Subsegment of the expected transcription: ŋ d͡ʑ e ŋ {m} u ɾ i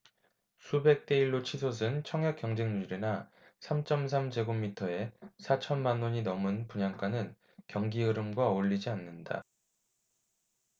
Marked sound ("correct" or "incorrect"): incorrect